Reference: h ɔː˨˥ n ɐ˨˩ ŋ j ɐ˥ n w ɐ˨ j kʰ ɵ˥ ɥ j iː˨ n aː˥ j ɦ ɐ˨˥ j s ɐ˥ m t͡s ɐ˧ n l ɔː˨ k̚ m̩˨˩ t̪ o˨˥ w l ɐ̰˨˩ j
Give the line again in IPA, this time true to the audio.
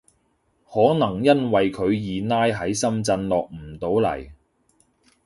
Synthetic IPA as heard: h ɔː˨˥ n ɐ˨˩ ŋ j ɐ˥ n w ɐ˨ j kʰ ɵ˨˧ ɥ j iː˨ n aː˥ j ɦ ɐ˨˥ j s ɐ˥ m t͡s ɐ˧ n l ɔː˨ k̚ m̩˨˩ t̪ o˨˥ w l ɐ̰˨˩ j